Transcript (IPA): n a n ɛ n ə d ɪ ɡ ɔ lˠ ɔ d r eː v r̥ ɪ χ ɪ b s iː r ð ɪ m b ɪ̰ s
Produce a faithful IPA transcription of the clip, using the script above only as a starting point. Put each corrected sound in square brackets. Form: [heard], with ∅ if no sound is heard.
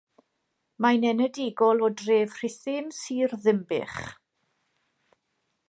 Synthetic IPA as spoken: [m] a n ɛ n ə d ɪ ɡ ɔ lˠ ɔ d r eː v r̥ ɪ [θ] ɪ [m] s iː r ð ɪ m b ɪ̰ [χ]